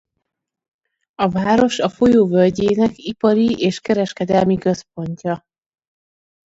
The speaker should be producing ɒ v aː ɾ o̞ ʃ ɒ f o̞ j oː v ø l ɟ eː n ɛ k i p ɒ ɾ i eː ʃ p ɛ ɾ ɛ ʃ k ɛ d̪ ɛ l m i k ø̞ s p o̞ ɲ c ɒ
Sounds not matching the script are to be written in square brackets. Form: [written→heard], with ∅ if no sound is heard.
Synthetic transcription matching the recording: ɒ v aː ɾ o̞ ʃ ɒ f o̞ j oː v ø l ɟ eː n ɛ k i p ɒ ɾ i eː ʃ [p→k] ɛ ɾ ɛ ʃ k ɛ d̪ ɛ l m i k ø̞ s p o̞ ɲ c ɒ